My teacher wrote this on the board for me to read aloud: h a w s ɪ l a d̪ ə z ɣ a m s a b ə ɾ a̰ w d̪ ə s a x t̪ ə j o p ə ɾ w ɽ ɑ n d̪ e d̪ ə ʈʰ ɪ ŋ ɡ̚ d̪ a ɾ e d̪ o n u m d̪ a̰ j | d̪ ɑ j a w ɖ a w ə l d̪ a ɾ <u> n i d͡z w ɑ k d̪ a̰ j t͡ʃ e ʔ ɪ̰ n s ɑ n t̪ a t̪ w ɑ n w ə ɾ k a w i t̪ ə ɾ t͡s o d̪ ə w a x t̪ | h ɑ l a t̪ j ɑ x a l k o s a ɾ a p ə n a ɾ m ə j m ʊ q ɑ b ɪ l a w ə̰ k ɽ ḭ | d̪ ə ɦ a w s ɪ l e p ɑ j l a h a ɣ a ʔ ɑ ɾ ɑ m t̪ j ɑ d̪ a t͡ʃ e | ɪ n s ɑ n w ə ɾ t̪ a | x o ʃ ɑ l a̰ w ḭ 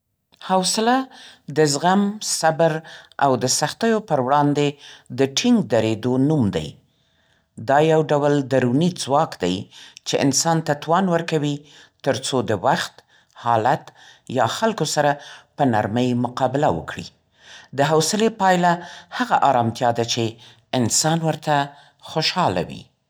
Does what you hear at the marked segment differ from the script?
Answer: no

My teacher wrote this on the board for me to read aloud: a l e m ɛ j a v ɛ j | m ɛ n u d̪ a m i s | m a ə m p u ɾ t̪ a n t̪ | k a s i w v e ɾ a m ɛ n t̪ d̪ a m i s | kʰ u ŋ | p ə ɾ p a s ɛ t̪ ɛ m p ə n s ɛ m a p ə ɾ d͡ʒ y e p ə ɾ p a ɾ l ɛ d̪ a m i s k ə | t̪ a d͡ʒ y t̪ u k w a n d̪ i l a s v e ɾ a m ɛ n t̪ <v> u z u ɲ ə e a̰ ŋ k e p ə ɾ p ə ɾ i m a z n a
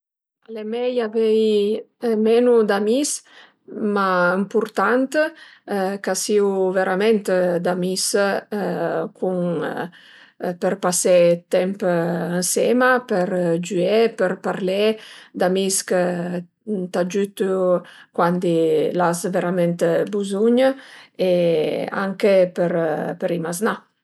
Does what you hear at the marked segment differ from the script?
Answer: yes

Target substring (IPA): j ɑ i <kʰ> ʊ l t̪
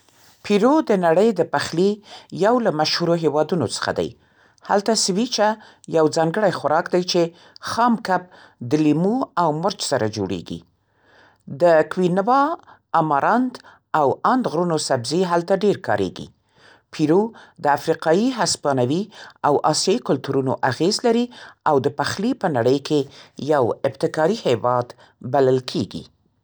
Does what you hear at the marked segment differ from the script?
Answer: yes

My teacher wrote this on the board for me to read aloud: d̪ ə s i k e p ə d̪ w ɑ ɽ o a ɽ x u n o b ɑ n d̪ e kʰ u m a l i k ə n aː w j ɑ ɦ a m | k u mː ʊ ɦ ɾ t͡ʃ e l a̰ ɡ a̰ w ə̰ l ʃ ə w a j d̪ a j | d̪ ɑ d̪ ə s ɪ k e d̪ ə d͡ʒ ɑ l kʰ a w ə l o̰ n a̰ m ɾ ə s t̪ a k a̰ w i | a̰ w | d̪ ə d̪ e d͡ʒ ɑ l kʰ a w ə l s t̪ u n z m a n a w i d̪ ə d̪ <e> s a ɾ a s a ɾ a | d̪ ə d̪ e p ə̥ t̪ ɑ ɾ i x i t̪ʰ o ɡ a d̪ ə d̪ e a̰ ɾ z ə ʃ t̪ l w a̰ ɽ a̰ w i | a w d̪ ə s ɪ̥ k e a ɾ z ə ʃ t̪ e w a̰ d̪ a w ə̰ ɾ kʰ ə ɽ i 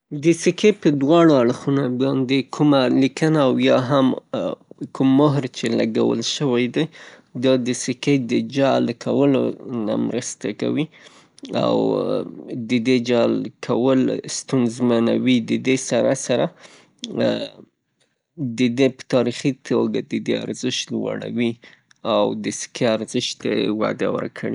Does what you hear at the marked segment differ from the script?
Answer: no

